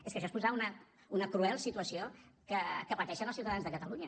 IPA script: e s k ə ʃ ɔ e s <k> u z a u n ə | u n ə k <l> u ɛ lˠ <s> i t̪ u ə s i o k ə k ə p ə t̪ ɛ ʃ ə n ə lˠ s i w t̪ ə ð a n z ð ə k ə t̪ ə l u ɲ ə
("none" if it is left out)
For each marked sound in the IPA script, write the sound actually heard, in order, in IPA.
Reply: p, ɾ, s

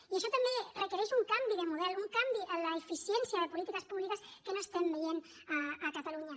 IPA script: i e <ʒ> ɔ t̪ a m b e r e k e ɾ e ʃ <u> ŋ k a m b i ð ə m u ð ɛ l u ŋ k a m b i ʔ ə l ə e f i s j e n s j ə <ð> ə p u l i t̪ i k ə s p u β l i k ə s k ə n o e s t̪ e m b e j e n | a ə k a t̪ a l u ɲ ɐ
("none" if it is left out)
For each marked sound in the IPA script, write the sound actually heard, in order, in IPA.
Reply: ʃ, u, ð

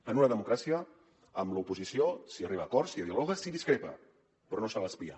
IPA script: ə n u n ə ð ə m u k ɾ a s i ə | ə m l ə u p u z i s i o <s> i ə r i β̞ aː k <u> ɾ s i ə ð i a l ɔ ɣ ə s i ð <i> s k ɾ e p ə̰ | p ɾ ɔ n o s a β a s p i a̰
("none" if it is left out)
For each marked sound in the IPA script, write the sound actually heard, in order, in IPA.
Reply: s, ɔ, i

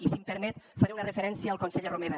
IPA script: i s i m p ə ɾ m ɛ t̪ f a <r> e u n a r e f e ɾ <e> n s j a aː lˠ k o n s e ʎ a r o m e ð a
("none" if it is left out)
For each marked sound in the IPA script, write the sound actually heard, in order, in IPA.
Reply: ɾ, ɛ

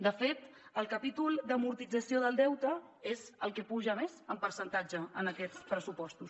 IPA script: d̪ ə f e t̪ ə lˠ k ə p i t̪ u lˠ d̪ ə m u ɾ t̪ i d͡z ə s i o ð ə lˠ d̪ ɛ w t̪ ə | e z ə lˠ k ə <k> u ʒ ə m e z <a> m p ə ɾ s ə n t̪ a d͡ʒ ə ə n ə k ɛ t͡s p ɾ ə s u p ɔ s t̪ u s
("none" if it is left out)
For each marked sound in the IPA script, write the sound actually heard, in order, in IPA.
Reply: p, ə

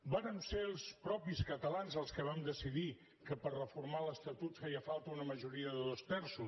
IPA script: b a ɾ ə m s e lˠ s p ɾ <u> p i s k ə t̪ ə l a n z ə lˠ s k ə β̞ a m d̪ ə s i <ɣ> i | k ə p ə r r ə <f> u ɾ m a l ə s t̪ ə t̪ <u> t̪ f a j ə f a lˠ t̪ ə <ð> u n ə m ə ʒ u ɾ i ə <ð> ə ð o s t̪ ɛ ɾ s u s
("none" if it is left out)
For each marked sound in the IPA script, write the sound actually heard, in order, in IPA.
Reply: ɔ, ð, f, u, none, ð

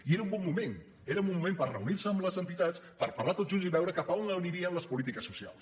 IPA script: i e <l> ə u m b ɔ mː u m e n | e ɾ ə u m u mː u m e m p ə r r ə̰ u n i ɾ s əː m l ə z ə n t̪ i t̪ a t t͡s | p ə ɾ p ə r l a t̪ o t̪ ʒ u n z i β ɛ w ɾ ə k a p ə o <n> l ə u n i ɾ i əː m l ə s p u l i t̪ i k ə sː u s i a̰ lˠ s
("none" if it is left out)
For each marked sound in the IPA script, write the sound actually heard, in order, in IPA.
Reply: ɾ, n

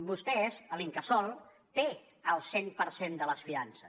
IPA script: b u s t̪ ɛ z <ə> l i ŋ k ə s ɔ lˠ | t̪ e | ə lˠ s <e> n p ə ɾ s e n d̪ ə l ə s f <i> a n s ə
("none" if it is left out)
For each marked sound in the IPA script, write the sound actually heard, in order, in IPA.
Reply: ə, e, i

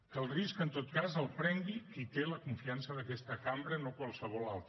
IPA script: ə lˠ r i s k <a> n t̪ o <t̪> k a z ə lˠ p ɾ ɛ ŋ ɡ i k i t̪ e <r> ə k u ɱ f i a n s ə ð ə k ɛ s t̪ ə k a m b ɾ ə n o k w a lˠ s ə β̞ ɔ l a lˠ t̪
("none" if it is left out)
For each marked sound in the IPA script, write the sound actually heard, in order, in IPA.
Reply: ə, t̪, l

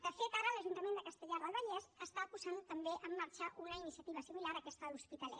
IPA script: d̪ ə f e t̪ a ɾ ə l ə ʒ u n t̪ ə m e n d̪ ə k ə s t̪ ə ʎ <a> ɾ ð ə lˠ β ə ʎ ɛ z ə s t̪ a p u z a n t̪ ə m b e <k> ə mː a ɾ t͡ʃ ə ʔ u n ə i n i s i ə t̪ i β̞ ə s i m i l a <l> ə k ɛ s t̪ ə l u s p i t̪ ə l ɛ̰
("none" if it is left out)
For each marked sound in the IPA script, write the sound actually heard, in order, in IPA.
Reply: a, ʔ, ɾ

